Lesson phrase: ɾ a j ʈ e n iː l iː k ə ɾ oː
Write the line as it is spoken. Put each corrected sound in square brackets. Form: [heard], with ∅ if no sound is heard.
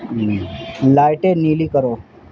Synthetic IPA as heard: [l] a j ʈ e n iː l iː k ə ɾ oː